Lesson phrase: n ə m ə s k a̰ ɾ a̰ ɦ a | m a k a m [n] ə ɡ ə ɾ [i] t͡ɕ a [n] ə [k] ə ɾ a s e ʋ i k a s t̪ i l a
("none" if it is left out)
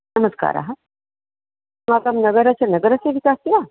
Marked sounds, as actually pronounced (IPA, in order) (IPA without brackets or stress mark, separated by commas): n, a, n, ɡ